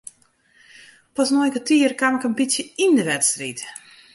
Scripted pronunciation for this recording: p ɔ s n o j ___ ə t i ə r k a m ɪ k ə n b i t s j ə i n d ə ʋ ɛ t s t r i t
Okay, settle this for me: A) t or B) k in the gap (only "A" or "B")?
B